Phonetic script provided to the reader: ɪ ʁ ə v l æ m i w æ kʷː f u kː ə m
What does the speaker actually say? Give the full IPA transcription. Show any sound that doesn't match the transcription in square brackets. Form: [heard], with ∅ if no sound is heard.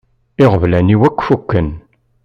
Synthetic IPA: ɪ ʁ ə v l æ [n] i w æ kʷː f u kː ə [n]